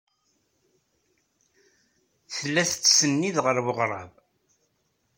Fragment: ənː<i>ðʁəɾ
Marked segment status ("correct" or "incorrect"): correct